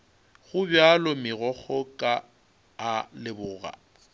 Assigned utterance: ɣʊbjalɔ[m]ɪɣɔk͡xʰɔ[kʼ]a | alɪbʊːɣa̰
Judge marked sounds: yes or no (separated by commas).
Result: yes, yes